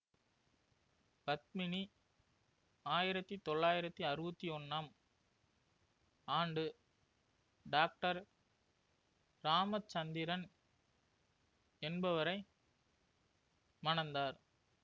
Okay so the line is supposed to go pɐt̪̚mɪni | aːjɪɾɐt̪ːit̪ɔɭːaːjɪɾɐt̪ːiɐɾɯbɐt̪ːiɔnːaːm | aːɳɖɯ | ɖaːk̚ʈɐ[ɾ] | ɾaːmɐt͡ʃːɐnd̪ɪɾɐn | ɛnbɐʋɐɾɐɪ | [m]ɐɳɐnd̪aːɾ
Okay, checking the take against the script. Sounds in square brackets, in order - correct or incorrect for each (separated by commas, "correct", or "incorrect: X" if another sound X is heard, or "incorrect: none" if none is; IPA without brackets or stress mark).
correct, correct